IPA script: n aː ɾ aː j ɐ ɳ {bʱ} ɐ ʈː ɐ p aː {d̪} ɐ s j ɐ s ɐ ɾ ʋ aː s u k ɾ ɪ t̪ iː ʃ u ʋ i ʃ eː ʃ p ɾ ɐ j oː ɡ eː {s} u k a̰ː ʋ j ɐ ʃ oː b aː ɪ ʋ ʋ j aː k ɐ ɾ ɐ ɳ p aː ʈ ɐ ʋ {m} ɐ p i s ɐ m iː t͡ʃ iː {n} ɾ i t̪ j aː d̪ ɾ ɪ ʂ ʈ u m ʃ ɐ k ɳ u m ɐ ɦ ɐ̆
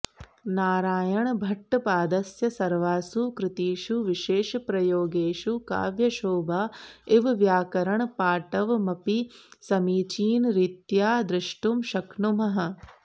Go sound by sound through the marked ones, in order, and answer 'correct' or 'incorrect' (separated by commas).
correct, correct, incorrect, correct, correct